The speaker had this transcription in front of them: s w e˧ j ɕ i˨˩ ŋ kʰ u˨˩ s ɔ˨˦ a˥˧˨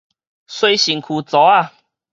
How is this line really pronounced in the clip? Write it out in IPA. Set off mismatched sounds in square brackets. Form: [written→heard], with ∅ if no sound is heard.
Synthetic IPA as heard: s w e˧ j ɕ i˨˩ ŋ kʰ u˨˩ [s→t͡s] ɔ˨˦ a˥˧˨